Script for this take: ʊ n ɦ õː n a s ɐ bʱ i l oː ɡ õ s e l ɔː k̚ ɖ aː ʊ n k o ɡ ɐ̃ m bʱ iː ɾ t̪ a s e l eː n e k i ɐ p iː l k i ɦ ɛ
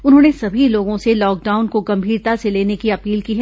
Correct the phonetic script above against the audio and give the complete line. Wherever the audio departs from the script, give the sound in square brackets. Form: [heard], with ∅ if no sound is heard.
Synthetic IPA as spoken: ʊ n ɦ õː n [e] s ɐ bʱ i l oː ɡ õ s e l ɔː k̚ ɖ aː ʊ n k o ɡ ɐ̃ m bʱ iː ɾ t̪ a s e l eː n e k i ɐ p iː l k i ɦ ɛ